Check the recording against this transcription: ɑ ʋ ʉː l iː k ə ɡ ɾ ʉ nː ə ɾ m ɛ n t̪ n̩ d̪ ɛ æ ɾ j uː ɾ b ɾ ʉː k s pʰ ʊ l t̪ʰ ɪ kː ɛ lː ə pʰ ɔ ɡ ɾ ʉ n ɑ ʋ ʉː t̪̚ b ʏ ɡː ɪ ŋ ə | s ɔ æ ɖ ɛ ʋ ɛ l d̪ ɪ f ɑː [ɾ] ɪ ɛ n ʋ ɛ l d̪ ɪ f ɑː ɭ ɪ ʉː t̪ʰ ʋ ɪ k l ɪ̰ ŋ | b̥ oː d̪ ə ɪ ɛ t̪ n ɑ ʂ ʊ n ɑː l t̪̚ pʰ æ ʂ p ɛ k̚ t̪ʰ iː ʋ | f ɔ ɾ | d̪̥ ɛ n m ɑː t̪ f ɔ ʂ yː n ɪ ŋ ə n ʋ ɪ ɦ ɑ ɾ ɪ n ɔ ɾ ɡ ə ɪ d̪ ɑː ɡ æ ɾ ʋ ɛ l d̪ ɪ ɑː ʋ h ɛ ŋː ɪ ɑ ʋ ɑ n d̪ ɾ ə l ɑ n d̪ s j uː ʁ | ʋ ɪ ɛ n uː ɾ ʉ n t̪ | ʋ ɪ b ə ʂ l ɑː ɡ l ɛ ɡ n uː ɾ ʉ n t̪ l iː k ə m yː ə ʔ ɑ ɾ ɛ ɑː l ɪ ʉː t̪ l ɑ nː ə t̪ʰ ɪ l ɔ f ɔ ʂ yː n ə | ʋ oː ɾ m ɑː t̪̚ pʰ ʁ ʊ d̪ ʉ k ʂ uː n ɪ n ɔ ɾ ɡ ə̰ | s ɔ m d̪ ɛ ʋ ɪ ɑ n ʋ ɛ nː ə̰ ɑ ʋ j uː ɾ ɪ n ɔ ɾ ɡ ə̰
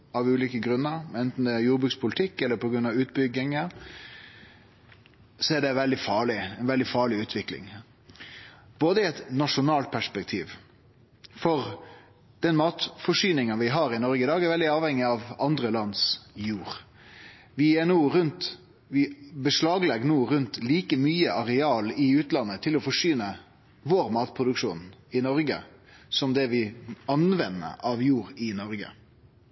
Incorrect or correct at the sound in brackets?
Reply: incorrect: ɭ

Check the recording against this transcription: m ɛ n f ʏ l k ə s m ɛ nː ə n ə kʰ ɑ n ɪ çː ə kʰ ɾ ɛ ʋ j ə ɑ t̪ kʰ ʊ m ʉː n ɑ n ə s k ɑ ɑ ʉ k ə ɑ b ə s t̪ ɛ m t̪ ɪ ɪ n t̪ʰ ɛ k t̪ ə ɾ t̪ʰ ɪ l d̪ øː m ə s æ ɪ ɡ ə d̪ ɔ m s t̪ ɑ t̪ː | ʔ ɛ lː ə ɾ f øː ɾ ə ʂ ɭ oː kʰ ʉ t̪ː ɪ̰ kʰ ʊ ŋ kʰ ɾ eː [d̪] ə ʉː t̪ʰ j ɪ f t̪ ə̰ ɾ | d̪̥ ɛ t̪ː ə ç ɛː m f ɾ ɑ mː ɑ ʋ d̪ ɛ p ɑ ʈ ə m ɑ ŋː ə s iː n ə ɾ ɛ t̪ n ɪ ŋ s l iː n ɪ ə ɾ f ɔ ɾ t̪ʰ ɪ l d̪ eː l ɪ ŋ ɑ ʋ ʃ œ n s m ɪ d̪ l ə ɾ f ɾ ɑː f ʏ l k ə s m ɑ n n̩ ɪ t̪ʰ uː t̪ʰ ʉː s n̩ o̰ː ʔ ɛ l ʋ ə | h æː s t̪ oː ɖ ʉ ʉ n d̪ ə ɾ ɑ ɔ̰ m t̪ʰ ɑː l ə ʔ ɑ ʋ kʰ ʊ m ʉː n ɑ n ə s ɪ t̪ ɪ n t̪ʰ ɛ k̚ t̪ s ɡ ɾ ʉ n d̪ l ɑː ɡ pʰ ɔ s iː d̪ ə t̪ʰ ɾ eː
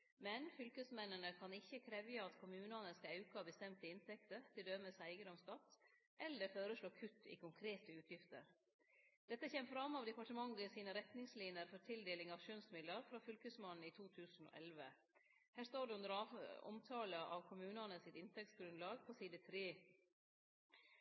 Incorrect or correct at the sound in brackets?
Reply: incorrect: t̪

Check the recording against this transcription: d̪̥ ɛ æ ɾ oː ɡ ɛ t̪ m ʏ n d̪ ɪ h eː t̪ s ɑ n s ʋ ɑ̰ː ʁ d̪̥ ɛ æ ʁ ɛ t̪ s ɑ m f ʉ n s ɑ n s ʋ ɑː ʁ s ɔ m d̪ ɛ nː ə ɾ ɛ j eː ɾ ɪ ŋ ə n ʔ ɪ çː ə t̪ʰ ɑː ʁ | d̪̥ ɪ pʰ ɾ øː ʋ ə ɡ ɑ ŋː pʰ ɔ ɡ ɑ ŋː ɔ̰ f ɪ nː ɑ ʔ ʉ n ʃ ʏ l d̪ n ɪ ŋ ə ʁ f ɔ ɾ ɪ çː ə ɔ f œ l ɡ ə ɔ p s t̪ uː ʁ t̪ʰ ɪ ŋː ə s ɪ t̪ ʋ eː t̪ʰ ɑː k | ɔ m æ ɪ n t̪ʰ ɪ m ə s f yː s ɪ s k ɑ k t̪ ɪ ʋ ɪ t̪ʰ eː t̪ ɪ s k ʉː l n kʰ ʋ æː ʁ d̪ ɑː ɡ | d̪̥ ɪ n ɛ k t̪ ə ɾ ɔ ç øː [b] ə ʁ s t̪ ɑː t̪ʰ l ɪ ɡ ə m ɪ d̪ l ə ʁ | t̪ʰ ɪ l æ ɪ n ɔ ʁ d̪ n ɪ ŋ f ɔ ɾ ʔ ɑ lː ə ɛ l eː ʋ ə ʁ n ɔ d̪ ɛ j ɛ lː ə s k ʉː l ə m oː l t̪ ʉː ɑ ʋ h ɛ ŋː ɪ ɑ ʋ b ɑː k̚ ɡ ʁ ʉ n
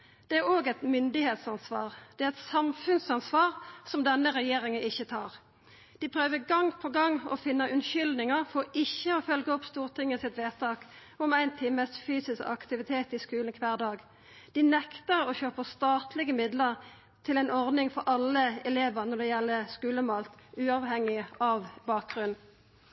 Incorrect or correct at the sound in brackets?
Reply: incorrect: p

